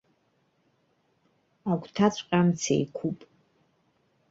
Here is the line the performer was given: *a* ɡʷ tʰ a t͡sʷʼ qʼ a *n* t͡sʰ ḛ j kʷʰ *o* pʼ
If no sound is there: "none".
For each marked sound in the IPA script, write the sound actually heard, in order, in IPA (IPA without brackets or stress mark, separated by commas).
a, m, u